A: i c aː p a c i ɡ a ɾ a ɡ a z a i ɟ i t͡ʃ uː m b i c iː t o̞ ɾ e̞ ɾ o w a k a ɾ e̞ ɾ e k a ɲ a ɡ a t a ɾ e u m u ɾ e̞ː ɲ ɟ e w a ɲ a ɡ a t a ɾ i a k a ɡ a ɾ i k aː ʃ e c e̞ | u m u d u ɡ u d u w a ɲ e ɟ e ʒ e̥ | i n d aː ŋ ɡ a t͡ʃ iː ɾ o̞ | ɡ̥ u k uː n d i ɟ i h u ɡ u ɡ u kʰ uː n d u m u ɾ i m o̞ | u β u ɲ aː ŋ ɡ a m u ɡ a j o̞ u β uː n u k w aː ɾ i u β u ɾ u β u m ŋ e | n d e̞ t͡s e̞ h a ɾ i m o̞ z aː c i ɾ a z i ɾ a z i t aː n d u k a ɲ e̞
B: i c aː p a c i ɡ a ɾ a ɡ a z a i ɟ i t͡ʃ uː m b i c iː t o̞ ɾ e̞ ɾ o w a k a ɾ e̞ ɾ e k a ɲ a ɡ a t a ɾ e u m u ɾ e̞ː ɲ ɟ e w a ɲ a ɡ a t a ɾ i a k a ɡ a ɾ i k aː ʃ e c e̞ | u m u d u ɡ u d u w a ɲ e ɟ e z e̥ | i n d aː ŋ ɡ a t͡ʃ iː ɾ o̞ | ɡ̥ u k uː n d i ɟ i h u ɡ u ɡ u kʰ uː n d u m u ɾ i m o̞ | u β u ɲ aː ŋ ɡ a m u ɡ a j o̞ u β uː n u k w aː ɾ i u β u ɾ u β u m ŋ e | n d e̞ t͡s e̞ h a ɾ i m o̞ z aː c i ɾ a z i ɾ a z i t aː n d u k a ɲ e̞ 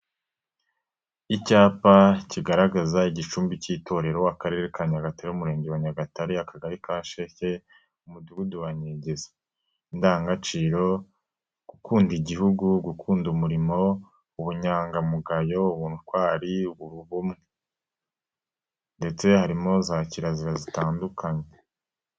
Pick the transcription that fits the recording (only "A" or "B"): B